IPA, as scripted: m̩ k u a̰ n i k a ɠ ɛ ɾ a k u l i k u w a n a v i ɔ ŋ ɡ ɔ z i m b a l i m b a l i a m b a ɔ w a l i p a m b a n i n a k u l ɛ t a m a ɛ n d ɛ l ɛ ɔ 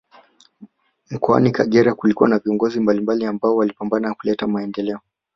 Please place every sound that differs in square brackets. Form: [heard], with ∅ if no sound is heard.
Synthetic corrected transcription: m̩ k [ɔ] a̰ n i k a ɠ ɛ ɾ a k u l i k u w a n a v i ɔ ŋ ɡ ɔ z i m b a l i m b a l i a m b a ɔ w a l i p a m b a n [a] n a k u l ɛ t a m a ɛ n d ɛ l ɛ ɔ